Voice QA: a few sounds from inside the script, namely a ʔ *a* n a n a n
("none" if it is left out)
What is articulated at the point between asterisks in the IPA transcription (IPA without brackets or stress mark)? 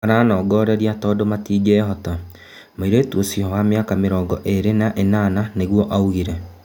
e